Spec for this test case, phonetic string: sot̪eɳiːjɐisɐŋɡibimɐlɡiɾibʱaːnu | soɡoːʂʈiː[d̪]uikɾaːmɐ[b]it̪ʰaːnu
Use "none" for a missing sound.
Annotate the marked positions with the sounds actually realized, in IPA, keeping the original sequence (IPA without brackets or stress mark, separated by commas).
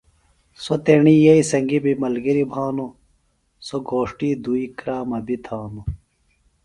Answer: d̪, b